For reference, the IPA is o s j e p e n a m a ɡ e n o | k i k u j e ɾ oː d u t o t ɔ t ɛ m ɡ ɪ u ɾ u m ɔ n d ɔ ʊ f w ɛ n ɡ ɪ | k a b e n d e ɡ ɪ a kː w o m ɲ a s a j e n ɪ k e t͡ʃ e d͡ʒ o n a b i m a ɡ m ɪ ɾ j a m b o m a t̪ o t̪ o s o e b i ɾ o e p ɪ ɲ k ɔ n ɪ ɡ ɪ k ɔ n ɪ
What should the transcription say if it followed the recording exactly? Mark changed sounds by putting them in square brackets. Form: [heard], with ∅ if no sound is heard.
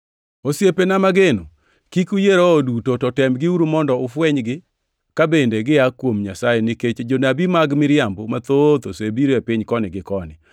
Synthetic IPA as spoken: o s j e p e n a m a ɡ e n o | k i k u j e ɾ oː d u t o t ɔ t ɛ m ɡ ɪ u ɾ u m ɔ n d ɔ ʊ f w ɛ [ɲ] ɡ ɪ | k a b e n d e ɡ ɪ a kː w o m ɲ a s a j e n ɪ k e t͡ʃ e d͡ʒ o n a b i m a ɡ m ɪ ɾ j a m b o m a t̪ o t̪ o s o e b i ɾ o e p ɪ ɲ k ɔ n ɪ ɡ ɪ k ɔ n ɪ